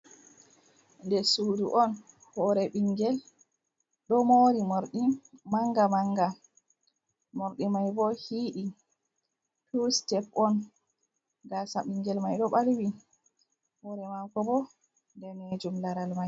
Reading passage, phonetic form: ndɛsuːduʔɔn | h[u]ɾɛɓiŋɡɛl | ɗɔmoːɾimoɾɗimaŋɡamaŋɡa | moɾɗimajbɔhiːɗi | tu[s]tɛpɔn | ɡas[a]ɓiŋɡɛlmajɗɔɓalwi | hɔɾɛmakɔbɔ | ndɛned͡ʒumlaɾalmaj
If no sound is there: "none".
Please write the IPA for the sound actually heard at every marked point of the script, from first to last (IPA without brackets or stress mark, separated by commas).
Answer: ɔ, s, a